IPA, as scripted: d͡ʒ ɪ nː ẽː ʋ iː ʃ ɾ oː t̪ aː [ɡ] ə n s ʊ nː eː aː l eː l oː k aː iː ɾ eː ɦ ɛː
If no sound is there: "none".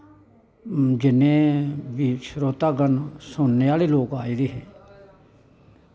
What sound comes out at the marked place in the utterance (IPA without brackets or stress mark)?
ɡ